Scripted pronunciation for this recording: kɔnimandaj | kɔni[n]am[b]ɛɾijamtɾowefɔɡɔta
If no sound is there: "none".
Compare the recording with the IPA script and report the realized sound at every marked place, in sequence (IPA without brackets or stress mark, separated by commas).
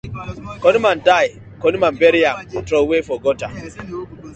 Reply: m, b